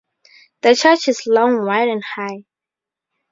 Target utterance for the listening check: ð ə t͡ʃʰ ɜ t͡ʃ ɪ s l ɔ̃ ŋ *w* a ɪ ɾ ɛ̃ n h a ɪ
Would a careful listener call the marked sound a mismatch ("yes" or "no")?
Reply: no